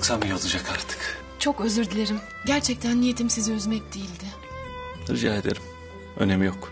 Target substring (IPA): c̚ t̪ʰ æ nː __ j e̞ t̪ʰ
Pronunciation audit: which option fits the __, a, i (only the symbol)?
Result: i